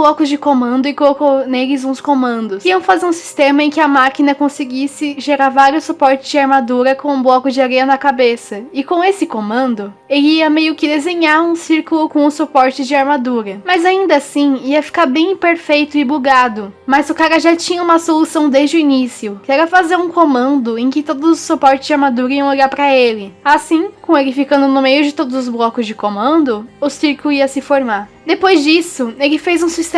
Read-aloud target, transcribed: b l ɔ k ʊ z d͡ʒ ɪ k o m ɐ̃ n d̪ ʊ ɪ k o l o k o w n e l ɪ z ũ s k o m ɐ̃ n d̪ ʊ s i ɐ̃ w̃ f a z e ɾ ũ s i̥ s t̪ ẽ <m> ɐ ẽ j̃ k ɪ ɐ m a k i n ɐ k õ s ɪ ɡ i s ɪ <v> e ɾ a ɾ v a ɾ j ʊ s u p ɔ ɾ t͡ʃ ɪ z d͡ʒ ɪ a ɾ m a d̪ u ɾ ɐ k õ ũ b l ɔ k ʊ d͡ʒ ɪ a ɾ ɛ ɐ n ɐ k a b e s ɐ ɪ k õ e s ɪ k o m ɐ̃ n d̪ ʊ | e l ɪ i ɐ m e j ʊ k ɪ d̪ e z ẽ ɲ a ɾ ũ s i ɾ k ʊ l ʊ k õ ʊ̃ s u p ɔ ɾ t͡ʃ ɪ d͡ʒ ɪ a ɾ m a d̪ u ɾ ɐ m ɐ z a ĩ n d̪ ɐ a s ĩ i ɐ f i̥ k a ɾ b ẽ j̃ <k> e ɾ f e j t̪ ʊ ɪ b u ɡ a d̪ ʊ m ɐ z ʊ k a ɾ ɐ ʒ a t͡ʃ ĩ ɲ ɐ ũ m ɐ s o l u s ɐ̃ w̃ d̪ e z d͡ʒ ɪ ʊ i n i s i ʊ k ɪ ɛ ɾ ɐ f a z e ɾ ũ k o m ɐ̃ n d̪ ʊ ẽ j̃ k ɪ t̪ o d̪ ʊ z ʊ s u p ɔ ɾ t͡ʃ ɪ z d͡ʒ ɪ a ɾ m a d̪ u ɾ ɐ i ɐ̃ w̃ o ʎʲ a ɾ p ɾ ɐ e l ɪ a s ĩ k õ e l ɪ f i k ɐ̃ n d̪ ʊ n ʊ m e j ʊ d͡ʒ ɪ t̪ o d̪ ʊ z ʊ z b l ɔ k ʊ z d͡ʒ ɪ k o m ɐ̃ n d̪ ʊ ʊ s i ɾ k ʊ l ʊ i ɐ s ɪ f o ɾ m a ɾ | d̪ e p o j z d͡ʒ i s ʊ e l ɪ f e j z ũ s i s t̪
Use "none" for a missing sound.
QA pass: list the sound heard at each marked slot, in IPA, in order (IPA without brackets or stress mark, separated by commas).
m, ʒ, p